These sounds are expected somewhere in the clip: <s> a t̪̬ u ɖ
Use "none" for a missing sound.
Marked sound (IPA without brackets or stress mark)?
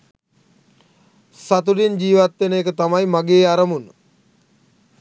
s